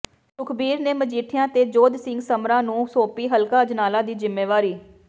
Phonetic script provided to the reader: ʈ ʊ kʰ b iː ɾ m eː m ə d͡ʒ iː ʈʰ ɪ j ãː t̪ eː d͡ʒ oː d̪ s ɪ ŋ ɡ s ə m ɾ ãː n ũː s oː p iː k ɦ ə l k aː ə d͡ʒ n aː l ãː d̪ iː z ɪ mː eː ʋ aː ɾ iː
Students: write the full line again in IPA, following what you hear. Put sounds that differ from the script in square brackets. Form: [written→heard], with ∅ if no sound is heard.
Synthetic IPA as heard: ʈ ʊ kʰ b iː ɾ [m→n] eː m ə d͡ʒ iː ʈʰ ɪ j ãː t̪ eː d͡ʒ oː d̪ s ɪ ŋ ɡ s ə m ɾ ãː n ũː s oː p iː [k→∅] ɦ ə l k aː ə d͡ʒ n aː l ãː d̪ iː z ɪ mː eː ʋ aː ɾ iː